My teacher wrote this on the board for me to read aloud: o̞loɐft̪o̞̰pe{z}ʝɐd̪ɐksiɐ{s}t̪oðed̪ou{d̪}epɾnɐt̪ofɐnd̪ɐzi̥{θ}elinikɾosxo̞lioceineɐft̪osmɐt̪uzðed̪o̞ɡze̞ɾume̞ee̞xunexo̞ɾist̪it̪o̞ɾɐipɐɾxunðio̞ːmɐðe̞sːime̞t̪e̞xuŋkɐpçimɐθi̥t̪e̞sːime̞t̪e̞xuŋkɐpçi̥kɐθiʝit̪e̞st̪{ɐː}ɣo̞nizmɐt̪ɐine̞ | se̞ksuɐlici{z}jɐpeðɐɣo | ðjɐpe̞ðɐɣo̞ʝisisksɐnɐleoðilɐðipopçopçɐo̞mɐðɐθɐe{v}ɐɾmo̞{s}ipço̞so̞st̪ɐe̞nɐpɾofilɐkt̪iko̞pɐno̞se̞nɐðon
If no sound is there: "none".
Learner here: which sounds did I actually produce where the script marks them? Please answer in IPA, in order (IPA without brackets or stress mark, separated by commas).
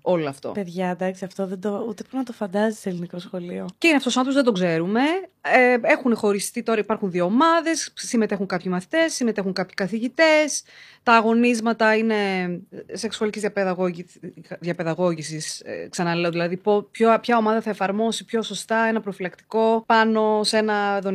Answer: ð, f, t̪, s, ɐː, z, f, s